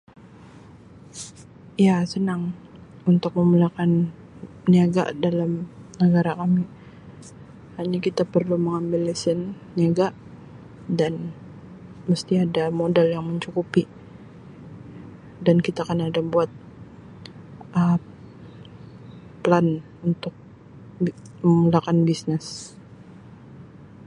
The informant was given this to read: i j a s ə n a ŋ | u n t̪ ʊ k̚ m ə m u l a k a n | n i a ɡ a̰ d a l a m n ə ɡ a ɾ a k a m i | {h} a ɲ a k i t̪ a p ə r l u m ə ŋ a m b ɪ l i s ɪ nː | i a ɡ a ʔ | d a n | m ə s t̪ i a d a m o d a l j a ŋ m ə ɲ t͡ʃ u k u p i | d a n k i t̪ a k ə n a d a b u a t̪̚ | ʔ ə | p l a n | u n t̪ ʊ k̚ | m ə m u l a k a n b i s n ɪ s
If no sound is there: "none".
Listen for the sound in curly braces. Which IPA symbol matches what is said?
h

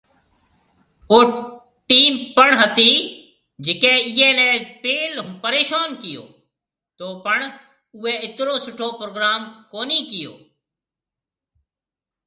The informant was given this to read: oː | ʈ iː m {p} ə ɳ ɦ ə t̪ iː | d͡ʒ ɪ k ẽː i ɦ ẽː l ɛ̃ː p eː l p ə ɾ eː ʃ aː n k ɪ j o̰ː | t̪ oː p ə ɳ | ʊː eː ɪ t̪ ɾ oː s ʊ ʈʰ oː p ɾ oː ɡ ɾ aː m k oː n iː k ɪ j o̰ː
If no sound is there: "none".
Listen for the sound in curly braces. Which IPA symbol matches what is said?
p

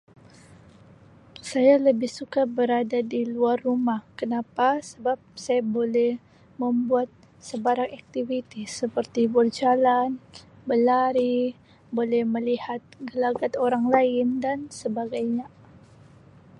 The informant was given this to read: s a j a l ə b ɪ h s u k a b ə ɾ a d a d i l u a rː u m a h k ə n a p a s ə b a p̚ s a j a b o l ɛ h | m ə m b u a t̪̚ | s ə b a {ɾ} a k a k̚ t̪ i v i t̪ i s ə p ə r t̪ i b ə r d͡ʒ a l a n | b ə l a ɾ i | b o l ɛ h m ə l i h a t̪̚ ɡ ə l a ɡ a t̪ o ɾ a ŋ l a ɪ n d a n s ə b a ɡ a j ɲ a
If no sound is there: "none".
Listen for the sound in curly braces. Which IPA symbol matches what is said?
ɾ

